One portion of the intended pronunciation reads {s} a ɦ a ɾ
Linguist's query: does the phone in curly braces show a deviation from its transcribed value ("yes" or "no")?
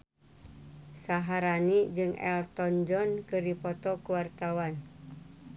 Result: no